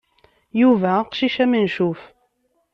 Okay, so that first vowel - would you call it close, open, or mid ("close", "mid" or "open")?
close